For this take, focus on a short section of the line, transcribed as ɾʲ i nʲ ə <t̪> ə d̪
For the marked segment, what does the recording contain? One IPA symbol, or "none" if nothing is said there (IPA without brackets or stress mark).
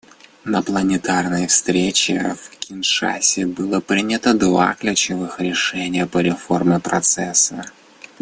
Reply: t̪